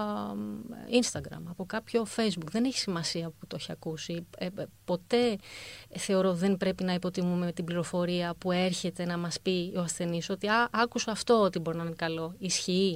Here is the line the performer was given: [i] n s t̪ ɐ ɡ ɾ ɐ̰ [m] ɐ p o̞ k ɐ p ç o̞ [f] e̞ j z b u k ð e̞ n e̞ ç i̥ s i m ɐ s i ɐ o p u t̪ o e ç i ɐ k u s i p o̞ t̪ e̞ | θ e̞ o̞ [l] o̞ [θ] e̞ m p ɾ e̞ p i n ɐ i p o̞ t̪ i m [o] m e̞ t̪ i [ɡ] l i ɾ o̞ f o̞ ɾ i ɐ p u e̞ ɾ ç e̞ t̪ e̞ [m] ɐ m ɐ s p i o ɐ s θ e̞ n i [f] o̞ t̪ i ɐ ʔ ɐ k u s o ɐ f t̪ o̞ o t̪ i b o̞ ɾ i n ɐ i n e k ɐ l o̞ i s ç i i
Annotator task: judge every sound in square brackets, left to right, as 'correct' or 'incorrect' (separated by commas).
correct, correct, correct, incorrect, incorrect, incorrect, incorrect, incorrect, incorrect